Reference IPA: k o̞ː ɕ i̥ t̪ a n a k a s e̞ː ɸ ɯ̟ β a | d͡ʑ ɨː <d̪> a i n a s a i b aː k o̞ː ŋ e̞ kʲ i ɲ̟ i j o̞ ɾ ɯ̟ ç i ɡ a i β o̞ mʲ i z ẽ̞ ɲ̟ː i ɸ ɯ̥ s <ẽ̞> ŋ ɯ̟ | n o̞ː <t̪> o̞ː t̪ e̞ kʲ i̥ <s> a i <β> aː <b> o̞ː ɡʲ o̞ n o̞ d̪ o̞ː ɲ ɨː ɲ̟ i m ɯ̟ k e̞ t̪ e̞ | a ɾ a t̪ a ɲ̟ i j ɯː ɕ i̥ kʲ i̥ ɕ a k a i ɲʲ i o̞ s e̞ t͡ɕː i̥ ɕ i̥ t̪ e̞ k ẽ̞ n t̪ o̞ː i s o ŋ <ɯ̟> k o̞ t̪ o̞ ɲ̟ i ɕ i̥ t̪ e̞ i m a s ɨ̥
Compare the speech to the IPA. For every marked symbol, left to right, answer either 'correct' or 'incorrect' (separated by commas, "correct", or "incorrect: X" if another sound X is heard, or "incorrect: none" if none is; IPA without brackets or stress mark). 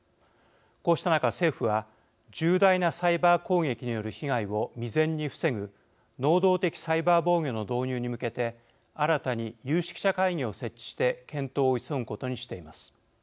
correct, incorrect: e̞, incorrect: d̪, correct, incorrect: b, correct, correct